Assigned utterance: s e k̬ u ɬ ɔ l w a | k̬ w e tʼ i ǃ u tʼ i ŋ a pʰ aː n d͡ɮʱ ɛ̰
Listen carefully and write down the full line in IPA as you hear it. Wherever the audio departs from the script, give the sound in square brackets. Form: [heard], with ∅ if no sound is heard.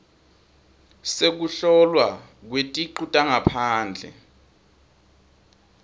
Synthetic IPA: s e k̬ u ɬ ɔ l w a | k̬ w e tʼ i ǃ u tʼ [a] ŋ a pʰ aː n d͡ɮʱ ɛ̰